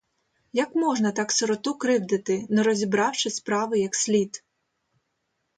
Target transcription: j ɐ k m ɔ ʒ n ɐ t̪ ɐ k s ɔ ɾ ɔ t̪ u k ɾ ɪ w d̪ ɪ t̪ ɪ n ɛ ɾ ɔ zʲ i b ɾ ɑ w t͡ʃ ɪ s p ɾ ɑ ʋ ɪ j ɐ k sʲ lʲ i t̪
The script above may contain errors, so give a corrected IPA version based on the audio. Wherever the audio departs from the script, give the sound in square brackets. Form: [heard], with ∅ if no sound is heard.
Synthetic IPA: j ɐ k m ɔ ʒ n ɐ t̪ [ɑ] k s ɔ ɾ ɔ t̪ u k ɾ ɪ w d̪ ɪ t̪ ɪ n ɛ ɾ ɔ zʲ i b ɾ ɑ w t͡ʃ ɪ s p ɾ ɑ ʋ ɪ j ɐ k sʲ lʲ i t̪